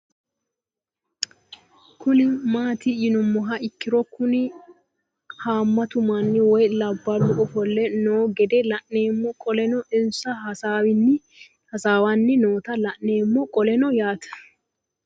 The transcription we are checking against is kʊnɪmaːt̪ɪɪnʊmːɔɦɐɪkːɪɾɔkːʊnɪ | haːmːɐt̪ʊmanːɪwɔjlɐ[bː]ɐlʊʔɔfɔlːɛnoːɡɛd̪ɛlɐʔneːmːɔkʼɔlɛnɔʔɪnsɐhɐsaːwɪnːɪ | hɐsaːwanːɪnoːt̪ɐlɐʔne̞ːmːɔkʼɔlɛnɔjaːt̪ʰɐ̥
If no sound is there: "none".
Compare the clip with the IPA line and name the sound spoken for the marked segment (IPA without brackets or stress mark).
bː